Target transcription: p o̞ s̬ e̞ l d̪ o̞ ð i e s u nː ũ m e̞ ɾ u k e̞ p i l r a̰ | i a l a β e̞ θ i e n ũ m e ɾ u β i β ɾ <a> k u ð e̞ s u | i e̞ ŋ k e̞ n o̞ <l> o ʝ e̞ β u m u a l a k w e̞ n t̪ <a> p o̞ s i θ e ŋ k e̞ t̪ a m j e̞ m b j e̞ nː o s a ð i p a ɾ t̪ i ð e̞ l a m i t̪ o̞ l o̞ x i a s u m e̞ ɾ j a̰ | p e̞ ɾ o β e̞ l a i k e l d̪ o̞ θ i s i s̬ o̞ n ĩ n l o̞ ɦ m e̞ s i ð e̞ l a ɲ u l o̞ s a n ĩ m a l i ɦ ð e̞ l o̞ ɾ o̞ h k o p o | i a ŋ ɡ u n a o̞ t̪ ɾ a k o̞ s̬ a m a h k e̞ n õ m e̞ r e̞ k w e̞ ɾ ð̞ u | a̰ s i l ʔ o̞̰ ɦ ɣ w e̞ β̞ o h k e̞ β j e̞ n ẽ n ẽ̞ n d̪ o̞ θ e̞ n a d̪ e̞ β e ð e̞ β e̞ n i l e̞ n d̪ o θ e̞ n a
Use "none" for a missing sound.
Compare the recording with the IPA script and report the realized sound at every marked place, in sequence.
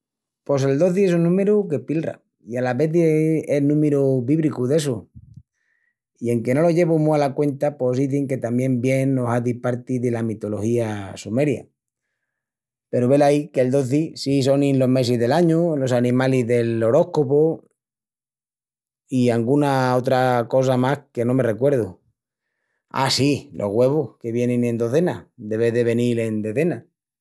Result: i, l, a

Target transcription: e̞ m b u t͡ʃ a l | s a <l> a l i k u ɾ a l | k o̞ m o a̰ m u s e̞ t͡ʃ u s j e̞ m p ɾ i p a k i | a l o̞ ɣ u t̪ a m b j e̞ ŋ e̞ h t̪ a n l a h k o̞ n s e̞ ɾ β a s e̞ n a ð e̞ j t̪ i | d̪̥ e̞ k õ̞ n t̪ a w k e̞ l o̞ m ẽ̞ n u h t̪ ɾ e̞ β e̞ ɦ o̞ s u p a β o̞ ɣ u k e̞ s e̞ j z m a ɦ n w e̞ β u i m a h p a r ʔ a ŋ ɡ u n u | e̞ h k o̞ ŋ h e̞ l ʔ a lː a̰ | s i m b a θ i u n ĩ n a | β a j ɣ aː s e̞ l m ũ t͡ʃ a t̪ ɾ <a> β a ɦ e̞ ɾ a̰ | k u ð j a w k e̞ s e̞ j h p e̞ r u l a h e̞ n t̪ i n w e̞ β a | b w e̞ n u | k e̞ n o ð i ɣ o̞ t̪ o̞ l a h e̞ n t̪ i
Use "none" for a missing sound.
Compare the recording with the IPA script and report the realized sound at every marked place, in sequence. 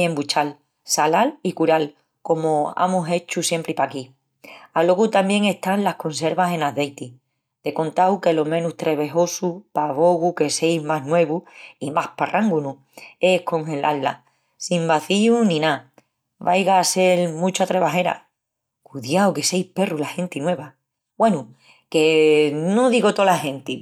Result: l, e

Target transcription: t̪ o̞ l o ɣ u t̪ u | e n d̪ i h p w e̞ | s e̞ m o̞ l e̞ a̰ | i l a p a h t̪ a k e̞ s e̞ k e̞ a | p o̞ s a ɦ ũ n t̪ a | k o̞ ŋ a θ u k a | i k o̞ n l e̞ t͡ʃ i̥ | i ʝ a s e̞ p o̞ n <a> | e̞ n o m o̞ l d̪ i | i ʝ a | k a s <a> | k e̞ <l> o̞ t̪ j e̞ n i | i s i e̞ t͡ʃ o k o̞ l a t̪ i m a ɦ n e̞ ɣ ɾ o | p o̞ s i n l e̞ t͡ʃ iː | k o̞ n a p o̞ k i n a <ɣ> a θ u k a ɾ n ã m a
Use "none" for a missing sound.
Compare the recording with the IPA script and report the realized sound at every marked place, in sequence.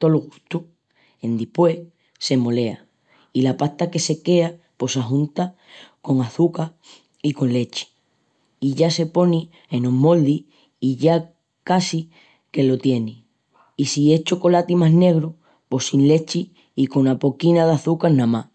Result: i, i, l, ð

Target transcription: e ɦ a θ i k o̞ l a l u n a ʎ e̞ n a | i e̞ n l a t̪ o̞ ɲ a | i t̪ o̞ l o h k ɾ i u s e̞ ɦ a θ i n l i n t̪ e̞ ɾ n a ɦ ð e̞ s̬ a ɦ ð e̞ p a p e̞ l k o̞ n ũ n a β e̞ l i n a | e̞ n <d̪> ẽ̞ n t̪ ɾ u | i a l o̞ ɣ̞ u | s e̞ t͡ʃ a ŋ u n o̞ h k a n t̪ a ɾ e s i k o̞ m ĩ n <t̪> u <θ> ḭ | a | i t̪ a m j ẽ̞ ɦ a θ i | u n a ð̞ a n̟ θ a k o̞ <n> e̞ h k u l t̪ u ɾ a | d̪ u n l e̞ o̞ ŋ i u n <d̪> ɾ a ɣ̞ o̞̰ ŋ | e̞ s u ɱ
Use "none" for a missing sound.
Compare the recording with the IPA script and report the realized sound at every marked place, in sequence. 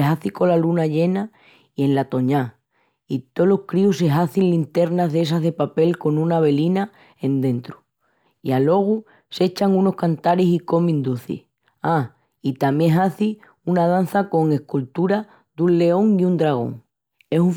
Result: d̪, d̪, θ, ŋ, d̪

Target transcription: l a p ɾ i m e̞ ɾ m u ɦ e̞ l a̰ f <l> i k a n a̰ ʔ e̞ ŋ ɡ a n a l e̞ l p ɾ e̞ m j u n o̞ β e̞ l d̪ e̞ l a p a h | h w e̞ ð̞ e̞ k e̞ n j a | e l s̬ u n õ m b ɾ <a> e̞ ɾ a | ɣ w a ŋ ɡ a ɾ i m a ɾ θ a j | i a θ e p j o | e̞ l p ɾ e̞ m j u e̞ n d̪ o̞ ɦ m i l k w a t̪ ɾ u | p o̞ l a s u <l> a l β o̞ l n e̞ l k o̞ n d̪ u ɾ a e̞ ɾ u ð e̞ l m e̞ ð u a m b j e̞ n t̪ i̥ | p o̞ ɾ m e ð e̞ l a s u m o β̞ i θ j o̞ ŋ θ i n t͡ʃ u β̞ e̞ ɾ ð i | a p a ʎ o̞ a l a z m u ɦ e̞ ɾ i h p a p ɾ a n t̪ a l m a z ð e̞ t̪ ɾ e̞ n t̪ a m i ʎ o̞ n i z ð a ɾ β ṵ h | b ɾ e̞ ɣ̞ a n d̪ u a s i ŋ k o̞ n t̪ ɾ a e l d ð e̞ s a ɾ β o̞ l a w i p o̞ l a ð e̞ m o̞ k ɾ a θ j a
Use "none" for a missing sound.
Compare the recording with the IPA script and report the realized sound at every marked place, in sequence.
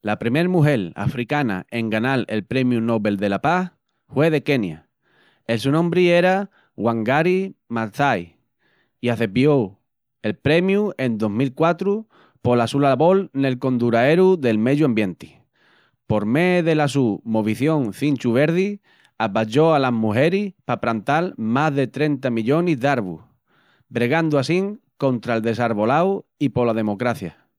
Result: ɾ, i, l

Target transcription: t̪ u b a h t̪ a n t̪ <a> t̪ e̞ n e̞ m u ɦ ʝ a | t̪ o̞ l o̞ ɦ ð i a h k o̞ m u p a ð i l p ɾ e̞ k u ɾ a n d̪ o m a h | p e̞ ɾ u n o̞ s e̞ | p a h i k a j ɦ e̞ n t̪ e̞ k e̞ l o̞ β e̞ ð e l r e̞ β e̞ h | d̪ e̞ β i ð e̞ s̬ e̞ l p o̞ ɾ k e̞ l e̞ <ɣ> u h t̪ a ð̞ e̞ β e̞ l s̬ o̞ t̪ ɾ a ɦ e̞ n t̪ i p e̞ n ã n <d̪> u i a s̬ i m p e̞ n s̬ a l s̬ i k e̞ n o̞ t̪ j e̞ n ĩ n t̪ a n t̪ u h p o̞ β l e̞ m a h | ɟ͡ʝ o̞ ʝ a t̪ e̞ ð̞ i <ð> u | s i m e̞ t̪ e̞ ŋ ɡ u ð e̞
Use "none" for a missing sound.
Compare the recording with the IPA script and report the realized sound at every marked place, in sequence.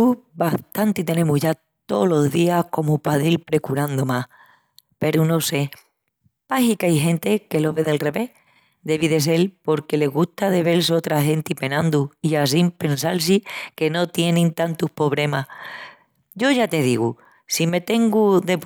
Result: i, ɣ, d̪, ɣ

